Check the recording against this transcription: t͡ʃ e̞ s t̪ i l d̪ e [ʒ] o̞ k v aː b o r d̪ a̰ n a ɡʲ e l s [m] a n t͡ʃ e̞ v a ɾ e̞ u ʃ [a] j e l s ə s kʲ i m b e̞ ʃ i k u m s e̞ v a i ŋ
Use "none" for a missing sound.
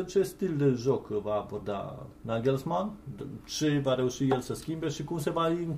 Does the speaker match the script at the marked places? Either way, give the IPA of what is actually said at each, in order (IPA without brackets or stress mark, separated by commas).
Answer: ʒ, m, i